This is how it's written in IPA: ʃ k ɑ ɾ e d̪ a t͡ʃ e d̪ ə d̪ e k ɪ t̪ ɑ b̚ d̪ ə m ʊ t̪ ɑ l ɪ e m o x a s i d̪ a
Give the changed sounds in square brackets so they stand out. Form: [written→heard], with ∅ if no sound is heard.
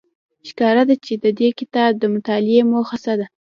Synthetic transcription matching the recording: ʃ k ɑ ɾ [e→a] d̪ a t͡ʃ e d̪ ə d̪ e k ɪ t̪ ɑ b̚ d̪ ə m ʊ t̪ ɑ l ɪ e m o x a s [i→a] d̪ a